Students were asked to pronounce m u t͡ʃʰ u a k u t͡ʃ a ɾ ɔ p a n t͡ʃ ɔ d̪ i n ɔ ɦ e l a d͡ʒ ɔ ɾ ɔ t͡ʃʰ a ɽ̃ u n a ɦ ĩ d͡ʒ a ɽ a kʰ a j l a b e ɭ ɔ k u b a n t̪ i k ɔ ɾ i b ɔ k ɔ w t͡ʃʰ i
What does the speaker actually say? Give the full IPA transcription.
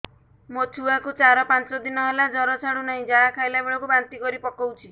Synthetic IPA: m o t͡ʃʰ u a k u t͡ʃ a ɾ ɔ p a n t͡ʃ ɔ d̪ i n ɔ ɦ e l a d͡ʒ ɔ ɾ ɔ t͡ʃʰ a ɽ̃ u n a ɦ ĩ d͡ʒ a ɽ a kʰ a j l a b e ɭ ɔ k u b a n t̪ i k ɔ ɾ i p ɔ k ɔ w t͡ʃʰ i